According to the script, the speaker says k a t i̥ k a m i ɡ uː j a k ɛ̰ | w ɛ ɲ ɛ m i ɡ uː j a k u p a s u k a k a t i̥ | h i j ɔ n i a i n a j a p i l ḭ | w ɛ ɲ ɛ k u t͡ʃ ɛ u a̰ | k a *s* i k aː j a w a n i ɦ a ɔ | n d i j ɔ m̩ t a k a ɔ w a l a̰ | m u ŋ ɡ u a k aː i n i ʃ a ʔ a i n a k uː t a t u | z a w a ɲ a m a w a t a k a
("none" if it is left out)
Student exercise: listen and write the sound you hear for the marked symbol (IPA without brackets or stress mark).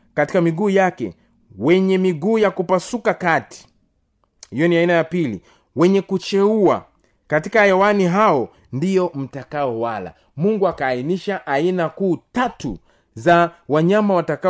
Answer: t